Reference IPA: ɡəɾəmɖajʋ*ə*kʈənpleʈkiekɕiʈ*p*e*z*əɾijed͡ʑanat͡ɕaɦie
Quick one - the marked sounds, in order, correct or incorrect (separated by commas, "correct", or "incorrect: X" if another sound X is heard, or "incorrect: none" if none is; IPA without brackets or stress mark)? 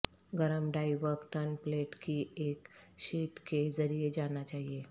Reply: correct, incorrect: k, incorrect: d͡z